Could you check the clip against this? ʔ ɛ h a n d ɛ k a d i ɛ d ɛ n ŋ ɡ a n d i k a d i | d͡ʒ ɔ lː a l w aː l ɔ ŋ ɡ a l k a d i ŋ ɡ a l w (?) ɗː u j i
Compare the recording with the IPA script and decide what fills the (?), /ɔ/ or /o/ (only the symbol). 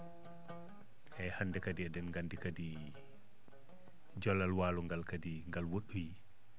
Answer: o